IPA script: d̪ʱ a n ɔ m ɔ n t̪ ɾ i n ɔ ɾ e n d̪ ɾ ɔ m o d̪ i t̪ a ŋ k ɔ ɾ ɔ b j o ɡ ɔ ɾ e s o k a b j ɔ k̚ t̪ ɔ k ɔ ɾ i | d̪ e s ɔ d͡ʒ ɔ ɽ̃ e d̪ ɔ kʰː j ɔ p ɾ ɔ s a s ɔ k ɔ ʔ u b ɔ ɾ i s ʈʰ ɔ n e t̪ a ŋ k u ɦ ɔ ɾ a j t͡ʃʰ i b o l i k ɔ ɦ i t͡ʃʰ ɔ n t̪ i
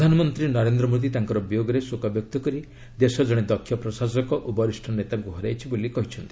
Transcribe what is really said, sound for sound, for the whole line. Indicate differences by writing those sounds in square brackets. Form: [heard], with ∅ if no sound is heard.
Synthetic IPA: d̪ʱ a n ɔ m ɔ n t̪ ɾ i n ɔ ɾ e n d̪ ɾ ɔ m o d̪ i t̪ a ŋ k ɔ ɾ ɔ b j o ɡ ɔ ɾ e s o k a b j ɔ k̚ t̪ ɔ k ɔ ɾ i | d̪ e s ɔ d͡ʒ ɔ ɽ̃ e d̪ ɔ kʰː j ɔ p ɾ ɔ s a s ɔ k ɔ ʔ u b ɔ ɾ i s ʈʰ ɔ n e t̪ a ŋ k u ɦ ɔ ɾ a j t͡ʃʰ i b o l i k ɔ ɦ i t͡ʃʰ ɔ n t̪ i